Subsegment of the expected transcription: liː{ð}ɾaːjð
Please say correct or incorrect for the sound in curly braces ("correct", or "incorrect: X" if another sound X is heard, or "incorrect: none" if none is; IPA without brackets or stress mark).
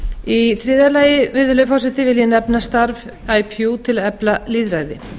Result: correct